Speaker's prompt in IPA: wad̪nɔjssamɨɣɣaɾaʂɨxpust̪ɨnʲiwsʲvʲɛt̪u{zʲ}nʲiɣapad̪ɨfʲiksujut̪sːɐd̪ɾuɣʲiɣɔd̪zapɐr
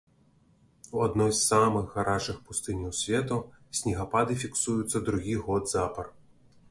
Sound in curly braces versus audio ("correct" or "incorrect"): incorrect